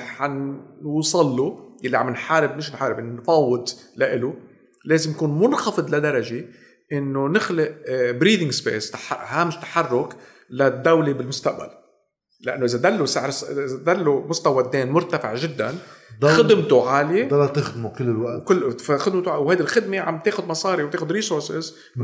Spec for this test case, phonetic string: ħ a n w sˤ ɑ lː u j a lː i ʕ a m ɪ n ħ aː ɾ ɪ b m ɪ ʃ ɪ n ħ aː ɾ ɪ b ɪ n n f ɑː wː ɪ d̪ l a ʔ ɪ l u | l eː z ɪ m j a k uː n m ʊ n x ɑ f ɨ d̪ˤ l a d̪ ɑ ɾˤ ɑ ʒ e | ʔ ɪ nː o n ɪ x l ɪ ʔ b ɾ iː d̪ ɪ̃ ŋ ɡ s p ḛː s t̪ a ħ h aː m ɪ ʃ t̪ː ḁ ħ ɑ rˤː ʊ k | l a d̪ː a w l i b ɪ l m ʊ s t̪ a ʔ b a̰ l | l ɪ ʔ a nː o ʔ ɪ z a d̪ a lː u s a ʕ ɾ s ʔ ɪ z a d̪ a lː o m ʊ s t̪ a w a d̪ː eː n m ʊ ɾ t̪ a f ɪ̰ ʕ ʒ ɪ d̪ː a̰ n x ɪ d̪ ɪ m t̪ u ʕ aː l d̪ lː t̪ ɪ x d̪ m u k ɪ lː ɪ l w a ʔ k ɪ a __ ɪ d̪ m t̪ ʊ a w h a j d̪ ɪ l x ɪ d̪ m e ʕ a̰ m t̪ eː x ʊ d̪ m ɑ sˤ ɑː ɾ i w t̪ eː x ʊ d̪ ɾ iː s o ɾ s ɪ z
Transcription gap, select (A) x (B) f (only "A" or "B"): A